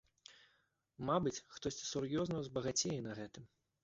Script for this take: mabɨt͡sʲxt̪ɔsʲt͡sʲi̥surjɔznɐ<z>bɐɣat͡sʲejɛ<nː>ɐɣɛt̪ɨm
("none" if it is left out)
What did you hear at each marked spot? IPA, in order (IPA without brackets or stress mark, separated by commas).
z, n